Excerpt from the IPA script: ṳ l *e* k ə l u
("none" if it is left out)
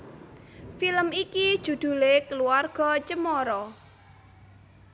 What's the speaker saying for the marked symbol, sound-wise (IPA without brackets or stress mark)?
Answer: e